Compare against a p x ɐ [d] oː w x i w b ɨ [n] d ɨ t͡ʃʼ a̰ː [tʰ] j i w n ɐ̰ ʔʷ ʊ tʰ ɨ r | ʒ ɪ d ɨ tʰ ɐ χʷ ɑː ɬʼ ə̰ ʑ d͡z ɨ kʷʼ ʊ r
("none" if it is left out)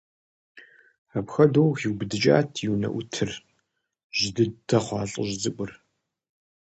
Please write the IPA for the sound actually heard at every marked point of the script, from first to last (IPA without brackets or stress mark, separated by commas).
d, none, tʰ